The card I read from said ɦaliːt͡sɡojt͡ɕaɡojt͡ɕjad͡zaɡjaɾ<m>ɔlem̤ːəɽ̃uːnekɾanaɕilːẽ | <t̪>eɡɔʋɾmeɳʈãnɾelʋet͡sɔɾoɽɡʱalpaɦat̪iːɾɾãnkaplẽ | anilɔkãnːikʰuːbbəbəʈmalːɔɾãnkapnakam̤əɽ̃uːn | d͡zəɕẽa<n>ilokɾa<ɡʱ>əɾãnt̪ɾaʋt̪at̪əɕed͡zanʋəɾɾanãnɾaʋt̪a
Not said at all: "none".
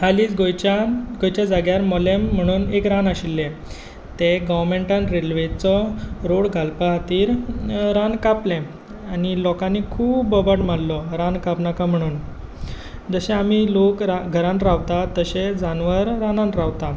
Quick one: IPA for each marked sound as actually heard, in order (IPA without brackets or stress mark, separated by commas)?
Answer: m, t̪, m, ɡʱ